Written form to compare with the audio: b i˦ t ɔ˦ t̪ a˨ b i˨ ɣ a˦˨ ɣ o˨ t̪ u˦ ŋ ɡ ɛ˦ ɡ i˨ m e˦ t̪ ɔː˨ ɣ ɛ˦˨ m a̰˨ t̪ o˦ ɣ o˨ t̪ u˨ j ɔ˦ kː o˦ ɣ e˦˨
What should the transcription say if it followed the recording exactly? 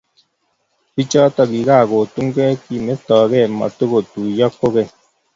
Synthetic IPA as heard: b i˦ t͡ʃ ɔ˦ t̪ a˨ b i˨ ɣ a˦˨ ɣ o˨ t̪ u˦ ŋ ɡ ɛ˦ k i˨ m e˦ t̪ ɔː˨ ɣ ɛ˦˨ m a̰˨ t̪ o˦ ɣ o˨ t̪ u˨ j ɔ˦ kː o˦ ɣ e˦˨